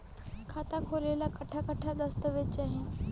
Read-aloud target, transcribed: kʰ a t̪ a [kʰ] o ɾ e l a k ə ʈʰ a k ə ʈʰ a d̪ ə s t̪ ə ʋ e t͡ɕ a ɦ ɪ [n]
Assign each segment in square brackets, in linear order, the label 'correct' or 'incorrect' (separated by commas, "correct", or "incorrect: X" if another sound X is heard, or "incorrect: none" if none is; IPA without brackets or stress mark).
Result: correct, correct